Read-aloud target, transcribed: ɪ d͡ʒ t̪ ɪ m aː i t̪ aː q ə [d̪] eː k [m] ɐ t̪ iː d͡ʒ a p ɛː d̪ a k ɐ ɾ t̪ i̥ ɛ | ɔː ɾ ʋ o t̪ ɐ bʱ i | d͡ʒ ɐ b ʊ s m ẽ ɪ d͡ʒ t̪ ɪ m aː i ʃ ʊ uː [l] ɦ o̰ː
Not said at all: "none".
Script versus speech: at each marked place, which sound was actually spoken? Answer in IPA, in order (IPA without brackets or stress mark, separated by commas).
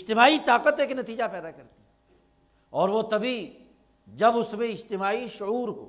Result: t̪, n, ɾ